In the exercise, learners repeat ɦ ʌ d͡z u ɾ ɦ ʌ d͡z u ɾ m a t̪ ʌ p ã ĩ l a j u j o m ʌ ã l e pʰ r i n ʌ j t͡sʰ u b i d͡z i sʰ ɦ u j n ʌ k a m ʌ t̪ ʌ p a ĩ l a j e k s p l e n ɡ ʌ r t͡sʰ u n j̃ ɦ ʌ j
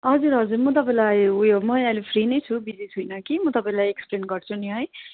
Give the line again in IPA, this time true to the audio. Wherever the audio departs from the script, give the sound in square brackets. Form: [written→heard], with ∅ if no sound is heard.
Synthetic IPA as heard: ɦ ʌ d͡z u ɾ ɦ ʌ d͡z u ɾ m [a→ʌ] t̪ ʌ p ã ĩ l a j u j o m ʌ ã l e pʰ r i n ʌ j t͡sʰ u b i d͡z i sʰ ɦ u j n ʌ k [a→i] m ʌ t̪ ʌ p a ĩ l a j e k s p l e n ɡ ʌ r t͡sʰ u n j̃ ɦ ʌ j